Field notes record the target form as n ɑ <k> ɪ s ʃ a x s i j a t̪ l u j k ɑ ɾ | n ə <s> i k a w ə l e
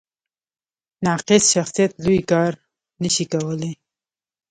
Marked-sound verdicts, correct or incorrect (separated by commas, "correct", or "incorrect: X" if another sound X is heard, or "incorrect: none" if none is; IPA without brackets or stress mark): incorrect: q, incorrect: ʃ